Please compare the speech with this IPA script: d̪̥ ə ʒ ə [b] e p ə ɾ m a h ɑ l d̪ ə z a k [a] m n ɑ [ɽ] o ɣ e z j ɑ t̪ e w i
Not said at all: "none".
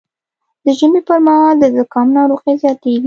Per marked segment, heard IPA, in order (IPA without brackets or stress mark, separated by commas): m, ɑ, ɾ